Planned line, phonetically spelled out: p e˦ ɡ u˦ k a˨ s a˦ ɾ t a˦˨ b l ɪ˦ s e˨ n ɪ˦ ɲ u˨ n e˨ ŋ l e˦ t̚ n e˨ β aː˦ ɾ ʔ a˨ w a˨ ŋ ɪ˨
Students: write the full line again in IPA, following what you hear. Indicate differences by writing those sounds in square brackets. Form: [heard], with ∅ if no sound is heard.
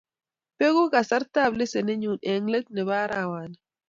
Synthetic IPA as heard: p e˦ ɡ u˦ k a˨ s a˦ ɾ t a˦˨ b l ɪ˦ s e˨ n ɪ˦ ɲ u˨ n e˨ ŋ l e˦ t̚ n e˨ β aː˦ ɾ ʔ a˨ w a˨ [n] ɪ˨